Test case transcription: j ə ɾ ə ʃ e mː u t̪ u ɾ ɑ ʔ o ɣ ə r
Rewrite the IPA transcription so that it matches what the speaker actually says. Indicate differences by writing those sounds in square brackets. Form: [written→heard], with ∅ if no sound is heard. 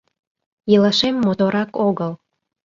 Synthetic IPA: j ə [ɾ→l] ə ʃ e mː [u→o] t̪ [u→o] ɾ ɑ [ʔ→k] o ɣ ə [r→l]